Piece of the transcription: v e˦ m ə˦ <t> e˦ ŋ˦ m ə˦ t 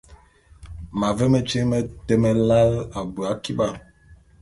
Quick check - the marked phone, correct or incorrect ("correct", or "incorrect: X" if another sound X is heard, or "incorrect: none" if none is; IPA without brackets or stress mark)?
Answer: incorrect: t͡ʃ